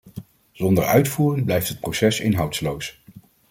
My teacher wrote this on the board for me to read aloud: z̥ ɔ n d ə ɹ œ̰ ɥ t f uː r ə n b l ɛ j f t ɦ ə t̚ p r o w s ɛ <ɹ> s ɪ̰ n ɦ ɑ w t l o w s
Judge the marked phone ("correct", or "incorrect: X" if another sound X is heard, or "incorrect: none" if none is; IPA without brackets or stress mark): incorrect: none